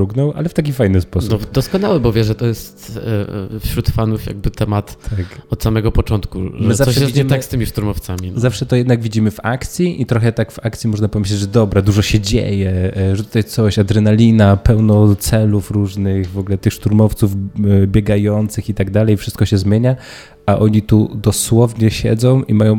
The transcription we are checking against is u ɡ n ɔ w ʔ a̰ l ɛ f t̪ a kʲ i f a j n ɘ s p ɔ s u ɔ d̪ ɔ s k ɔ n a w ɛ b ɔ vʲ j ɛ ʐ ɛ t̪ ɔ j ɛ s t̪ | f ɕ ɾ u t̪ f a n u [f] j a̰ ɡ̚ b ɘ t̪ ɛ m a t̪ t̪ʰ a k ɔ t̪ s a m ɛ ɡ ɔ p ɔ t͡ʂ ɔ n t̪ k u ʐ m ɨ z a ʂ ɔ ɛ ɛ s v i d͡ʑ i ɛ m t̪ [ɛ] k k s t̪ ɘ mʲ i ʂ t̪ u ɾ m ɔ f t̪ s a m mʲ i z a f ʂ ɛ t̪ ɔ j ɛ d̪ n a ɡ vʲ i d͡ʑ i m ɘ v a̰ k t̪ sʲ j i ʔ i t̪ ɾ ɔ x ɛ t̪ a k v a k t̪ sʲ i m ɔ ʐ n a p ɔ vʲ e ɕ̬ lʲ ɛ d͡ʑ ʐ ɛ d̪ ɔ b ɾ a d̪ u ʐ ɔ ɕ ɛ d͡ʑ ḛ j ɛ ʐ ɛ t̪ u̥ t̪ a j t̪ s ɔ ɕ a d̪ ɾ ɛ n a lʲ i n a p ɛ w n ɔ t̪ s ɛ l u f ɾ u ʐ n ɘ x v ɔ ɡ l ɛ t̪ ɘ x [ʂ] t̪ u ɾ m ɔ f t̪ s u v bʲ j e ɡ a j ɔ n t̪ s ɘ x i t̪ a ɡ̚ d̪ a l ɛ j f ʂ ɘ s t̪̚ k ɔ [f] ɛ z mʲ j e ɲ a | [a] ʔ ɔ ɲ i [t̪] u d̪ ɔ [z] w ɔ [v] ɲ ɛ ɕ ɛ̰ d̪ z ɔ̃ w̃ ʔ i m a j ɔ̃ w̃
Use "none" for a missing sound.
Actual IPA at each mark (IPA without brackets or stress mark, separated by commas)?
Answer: f, a, ʂ, ɕ, a, t̪, s, v